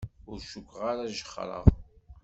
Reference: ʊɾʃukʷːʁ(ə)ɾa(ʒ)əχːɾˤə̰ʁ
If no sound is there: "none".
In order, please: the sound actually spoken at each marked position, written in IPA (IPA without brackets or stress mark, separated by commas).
a, ʒ